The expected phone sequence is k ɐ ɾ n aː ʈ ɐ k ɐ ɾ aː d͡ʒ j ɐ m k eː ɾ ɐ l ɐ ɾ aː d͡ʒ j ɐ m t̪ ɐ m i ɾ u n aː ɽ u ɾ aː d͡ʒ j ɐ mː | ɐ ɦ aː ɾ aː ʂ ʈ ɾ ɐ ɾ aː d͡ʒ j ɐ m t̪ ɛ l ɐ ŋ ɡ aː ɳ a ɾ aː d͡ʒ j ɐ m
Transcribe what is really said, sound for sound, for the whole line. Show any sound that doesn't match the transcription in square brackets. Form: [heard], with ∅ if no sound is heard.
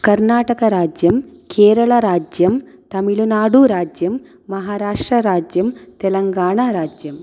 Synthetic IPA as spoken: k ɐ ɾ n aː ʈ ɐ k ɐ ɾ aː d͡ʒ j ɐ m k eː ɾ ɐ [ɭ] ɐ ɾ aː d͡ʒ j ɐ m t̪ ɐ m i [ɭ] u n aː ɽ u ɾ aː d͡ʒ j ɐ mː | ɐ ɦ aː ɾ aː ʂ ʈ ɾ ɐ ɾ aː d͡ʒ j ɐ m t̪ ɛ l ɐ ŋ ɡ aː ɳ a ɾ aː d͡ʒ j ɐ m